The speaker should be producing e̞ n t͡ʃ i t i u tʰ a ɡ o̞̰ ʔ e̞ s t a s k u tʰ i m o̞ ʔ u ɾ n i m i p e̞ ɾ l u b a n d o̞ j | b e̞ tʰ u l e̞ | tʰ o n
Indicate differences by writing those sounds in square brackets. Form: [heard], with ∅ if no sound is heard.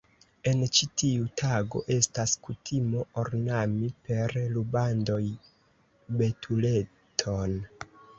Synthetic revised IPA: e̞ n t͡ʃ i t i u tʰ a ɡ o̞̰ ʔ e̞ s t a s k u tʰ i m o̞ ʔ [o] ɾ n [a] m i p e̞ ɾ l u b a n d o̞ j | b e̞ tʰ u l e̞ | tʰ o n

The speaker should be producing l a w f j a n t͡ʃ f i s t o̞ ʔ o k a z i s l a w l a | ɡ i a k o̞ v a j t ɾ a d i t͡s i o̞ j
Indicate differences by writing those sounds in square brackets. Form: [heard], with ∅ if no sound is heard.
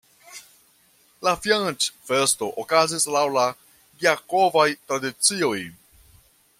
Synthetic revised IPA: l a [∅] f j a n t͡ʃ f [e] s t o̞ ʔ o k a z i s l a w l a | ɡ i a k o̞ v a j t ɾ a d i t͡s i o̞ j

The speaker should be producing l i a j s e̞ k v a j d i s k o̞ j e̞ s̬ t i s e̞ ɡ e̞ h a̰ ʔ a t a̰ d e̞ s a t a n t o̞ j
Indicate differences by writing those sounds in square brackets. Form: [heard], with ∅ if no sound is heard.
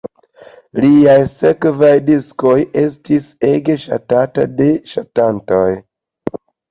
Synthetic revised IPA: l i a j s e̞ k v a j d i s k o̞ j e̞ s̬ t i s e̞ ɡ e̞ [ʃ] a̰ [t] a t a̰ d e̞ [ʃ] a t a n t o̞ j

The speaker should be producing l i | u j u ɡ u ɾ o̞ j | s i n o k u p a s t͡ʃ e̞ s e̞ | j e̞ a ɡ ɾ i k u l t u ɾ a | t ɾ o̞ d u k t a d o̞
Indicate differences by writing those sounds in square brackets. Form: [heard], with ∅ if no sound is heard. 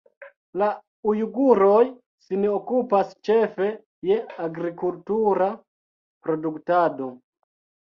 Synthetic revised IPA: l [a] | u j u ɡ u ɾ o̞ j | s i n o k u p a s t͡ʃ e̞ [f] e̞ | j e̞ a ɡ ɾ i k u l t u ɾ a | [p] ɾ o̞ d u k t a d o̞

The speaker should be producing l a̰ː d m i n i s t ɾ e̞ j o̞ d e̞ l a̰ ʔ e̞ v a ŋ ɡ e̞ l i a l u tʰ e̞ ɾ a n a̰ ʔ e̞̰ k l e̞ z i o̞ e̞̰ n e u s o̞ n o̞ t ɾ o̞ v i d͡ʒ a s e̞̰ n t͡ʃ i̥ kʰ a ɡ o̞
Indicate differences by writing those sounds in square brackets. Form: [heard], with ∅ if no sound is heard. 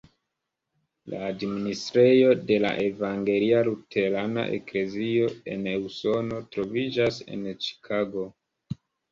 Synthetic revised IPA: l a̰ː d m i n i s t ɾ e̞ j o̞ d e̞ l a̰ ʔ e̞ v a ŋ ɡ e̞ l i a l u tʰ e̞ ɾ a n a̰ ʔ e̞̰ k l e̞ z i o̞ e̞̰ n e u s o̞ n o̞ t ɾ o̞ v i d͡ʒ a s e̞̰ n t͡ʃ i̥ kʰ a ɡ o̞

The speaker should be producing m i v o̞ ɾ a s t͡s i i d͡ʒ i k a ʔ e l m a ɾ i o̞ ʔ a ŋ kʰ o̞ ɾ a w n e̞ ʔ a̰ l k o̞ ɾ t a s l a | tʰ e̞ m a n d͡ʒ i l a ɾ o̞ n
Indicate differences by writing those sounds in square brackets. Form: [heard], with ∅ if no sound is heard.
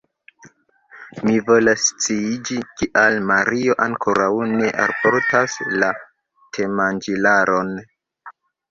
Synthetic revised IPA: m i v o̞ [l] a s t͡s i i d͡ʒ i k [i] ʔ [a] l m a ɾ i o̞ ʔ a ŋ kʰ o̞ ɾ a w n e̞ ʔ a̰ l [p] o̞ ɾ t a s l a | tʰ e̞ m a n d͡ʒ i l a ɾ o̞ n

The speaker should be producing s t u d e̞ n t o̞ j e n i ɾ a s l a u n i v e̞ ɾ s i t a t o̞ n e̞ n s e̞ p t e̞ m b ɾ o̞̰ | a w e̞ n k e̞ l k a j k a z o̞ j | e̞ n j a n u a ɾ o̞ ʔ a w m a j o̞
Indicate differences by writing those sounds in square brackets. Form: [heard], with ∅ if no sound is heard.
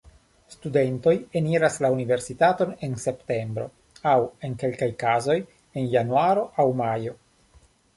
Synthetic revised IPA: s t u d e̞ n t o̞ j e n i ɾ a s l a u n i v e̞ ɾ s i t a t o̞ n e̞ n s e̞ p t e̞ m b ɾ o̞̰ | a w e̞ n k e̞ l k a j k a z o̞ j | e̞ n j a n u a ɾ o̞ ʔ a w m a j o̞

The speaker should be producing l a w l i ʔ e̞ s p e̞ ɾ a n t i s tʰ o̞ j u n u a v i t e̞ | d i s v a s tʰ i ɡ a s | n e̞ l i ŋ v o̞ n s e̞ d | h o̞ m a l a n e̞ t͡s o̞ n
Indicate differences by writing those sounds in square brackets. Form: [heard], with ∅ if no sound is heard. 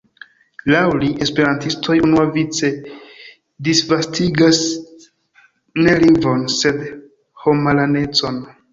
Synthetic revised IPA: l a w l i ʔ e̞ s p e̞ ɾ a n t i s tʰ o̞ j u n u a v i [t͡s] e̞ | d i s v a s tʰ i ɡ a s | n e̞ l i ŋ v o̞ n s e̞ d | h o̞ m a l a n e̞ t͡s o̞ n

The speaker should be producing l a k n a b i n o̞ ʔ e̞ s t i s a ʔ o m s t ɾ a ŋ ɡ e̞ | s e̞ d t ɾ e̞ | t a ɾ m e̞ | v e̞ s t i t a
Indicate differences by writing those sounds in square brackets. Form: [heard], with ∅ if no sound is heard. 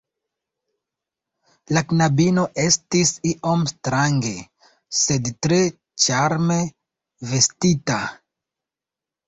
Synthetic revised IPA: l a k n a b i n o̞ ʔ e̞ s t i s [i] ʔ o m s t ɾ a ŋ ɡ e̞ | s e̞ d t ɾ e̞ | [t͡ʃ] a ɾ m e̞ | v e̞ s t i t a

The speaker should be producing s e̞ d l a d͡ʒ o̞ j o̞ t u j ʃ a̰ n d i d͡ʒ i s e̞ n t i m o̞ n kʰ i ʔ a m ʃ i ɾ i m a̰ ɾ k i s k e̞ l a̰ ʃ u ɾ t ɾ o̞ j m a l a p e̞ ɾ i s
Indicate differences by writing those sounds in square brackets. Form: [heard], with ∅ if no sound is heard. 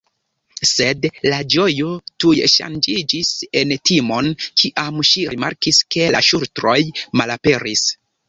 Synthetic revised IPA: s e̞ d l a d͡ʒ o̞ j o̞ t u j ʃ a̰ n [d͡ʒ] i d͡ʒ i s e̞ n t i m o̞ n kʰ i ʔ a m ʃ i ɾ i m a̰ ɾ k i s k e̞ l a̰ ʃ u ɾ t ɾ o̞ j m a l a p e̞ ɾ i s

